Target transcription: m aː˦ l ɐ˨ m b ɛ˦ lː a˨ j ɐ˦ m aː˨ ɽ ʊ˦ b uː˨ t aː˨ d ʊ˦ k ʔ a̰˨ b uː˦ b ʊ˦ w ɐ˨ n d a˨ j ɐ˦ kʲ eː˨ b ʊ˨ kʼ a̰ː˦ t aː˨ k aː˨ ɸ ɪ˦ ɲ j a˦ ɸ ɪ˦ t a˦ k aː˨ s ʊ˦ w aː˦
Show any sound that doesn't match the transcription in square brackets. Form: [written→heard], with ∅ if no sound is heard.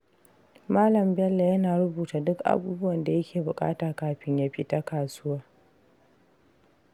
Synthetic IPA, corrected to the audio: m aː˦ l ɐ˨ m b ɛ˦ lː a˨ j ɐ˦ [m→n] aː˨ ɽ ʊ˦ b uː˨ t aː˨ d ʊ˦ k ʔ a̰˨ b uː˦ b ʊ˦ w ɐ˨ n d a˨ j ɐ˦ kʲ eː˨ b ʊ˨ kʼ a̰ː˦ t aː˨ k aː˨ ɸ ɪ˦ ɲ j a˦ ɸ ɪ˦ t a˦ k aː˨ s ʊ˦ w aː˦